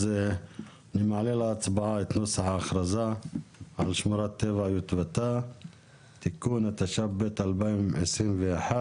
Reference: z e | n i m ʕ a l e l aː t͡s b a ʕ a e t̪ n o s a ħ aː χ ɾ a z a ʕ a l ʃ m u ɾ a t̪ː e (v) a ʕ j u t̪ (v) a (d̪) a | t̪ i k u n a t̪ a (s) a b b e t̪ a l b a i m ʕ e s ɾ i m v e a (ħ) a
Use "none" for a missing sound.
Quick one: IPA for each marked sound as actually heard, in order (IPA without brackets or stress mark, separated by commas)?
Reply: v, v, t̪, ʃ, ħ